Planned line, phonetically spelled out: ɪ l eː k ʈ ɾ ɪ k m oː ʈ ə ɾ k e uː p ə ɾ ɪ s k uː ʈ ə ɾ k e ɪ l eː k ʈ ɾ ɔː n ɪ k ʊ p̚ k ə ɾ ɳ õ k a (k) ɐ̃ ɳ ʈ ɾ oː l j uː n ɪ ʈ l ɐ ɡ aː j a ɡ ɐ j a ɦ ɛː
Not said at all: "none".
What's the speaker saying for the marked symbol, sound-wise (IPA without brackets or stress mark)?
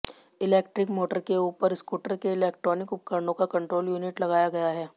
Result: k